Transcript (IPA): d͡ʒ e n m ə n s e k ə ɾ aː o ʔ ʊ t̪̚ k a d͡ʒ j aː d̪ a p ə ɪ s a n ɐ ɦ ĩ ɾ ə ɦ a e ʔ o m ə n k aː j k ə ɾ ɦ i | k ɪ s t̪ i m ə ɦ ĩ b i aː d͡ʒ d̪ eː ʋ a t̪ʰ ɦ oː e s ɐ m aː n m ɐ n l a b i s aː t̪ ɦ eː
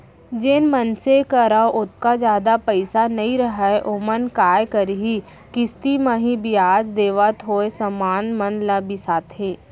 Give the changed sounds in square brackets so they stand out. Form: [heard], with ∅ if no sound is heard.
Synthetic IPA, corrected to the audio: d͡ʒ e n m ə n s e k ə ɾ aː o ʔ ʊ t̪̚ k a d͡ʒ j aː d̪ a p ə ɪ s a n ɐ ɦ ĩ ɾ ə ɦ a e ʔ o m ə n k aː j k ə ɾ ɦ i | k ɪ s t̪ i m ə ɦ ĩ b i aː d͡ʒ d̪ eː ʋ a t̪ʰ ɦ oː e s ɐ m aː n m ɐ n l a b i s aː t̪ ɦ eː